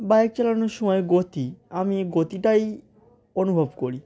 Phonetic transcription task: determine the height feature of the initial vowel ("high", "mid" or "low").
low